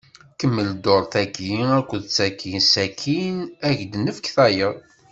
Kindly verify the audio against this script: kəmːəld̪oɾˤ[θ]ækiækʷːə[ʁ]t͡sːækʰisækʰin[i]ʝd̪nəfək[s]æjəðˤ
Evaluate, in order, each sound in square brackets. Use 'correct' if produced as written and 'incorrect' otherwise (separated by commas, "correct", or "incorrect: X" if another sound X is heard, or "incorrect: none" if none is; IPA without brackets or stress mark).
correct, incorrect: ð, incorrect: æ, incorrect: θ